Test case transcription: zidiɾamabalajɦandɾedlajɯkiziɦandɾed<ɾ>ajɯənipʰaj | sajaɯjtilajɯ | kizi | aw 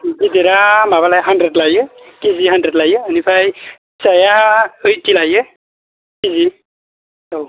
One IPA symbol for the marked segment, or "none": l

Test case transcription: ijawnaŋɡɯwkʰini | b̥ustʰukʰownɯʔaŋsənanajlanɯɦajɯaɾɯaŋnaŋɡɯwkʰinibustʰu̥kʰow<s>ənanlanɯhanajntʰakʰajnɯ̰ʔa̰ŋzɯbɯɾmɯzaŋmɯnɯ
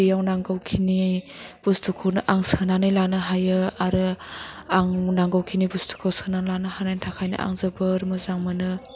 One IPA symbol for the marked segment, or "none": s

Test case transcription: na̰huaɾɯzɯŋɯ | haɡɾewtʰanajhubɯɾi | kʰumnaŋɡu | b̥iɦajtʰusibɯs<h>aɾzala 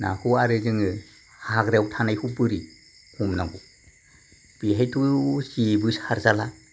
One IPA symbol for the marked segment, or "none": h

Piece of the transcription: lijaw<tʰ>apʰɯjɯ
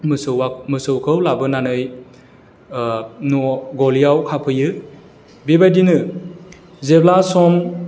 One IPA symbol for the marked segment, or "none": kʰ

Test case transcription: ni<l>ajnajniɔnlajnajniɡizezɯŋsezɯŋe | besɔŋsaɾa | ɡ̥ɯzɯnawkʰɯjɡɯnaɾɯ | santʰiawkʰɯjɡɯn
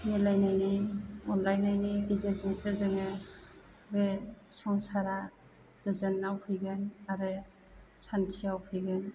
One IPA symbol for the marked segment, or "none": l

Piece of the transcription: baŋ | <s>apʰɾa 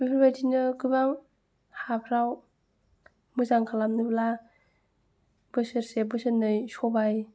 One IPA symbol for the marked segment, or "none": h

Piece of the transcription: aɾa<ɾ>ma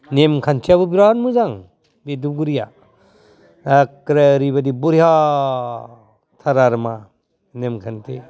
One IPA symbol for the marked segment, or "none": ɾ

